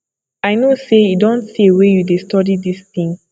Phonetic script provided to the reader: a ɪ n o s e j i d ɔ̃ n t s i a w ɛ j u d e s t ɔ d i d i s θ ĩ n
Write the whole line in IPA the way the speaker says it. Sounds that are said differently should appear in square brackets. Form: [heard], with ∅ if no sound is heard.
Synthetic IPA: a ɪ n o s e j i d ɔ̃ n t s i [e] w [e] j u d e s t ɔ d i d i s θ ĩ [ŋ]